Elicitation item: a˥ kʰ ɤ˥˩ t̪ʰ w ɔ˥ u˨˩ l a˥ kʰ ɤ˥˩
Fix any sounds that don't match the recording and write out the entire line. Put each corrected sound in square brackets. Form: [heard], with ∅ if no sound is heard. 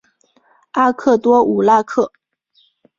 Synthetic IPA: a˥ kʰ ɤ˥˩ [t̪] w ɔ˥ u˨˩ l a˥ kʰ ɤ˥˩